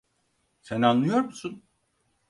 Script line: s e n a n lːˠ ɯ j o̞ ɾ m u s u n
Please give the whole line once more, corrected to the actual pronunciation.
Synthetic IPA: s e n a n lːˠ ɯ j o̞ ɾ m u s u n